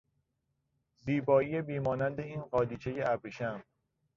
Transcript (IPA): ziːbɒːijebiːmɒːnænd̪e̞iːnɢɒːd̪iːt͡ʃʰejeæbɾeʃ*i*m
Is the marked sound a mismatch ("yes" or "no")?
yes